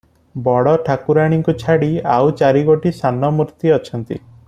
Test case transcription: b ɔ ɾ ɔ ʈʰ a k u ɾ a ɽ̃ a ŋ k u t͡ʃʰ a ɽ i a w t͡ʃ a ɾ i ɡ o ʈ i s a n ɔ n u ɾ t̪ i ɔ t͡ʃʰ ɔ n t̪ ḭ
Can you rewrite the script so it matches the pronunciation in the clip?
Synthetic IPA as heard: b ɔ ɽ ɔ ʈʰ a k u ɾ a ɽ̃ i ŋ k u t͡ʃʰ a ɽ i a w t͡ʃ a ɾ i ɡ o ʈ i s a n ɔ m u ɾ t̪ i ɔ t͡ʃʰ ɔ n t̪ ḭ